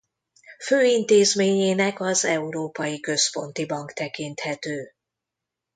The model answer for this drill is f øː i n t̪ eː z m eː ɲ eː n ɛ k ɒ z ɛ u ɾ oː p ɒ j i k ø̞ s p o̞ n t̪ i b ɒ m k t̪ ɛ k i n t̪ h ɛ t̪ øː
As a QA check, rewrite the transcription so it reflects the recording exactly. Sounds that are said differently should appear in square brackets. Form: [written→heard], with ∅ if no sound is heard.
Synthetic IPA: f øː i n t̪ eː z m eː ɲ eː n ɛ k ɒ z ɛ u ɾ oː p ɒ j i k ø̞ s p o̞ n t̪ i b ɒ [m→ŋ] k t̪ ɛ k i n t̪ h ɛ t̪ øː